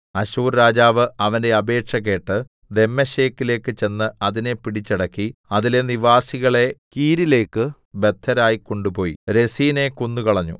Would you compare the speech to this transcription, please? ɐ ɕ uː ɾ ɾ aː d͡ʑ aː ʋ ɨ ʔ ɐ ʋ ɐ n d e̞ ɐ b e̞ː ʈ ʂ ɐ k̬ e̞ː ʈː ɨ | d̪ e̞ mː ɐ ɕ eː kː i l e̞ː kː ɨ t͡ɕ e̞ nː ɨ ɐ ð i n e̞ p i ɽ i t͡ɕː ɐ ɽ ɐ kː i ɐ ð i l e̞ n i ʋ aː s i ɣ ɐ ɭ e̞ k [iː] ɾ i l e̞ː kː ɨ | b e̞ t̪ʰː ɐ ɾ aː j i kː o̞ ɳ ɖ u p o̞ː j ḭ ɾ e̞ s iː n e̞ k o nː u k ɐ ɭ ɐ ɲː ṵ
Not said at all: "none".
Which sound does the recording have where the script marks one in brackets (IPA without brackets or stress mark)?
iː